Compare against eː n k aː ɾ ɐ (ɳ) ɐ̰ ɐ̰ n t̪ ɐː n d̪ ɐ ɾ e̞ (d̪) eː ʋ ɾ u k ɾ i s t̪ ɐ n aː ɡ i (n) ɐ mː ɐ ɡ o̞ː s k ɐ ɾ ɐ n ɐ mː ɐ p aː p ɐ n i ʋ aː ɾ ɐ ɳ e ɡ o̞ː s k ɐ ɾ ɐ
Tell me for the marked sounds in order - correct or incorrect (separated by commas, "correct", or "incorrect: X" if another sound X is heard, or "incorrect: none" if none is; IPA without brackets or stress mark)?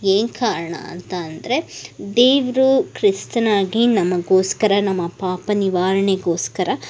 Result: correct, correct, correct